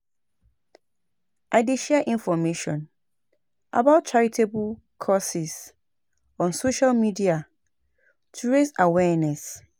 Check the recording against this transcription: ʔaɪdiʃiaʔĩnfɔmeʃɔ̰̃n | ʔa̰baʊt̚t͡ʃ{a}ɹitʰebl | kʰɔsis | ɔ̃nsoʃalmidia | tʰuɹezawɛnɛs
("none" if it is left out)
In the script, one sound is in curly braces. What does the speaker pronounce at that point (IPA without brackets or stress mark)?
a